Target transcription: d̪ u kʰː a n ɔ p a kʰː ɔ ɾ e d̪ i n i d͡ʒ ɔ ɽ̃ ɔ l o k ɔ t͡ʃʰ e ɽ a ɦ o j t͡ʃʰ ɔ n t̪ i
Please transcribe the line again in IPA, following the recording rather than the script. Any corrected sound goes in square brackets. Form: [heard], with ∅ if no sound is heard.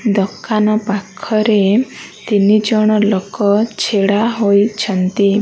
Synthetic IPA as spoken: d̪ [ɔ] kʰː a n ɔ p a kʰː ɔ ɾ e [t̪] i n i d͡ʒ ɔ ɽ̃ ɔ l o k ɔ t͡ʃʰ e ɽ a ɦ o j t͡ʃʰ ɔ n t̪ i